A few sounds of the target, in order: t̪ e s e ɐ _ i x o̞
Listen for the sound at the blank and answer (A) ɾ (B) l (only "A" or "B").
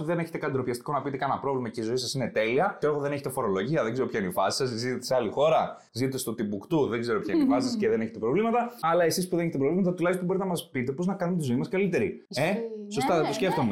B